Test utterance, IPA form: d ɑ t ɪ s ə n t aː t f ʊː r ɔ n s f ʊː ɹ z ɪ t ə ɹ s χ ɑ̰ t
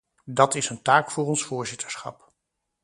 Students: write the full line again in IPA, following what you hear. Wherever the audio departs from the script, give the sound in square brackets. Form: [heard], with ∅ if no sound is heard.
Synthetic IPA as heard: d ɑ t ɪ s ə n t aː [k] f ʊː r ɔ n s f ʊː ɹ z ɪ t ə ɹ s χ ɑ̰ [p]